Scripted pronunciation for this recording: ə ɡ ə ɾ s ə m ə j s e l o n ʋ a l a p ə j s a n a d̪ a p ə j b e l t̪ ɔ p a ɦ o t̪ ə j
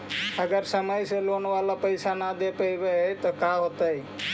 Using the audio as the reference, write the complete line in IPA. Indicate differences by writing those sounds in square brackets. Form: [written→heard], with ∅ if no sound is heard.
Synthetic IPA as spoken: ə ɡ ə ɾ s ə m ə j s e l o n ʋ a l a p ə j s a n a d̪ [a→e] p ə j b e [l→∅] t̪ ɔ [p→k] a ɦ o t̪ ə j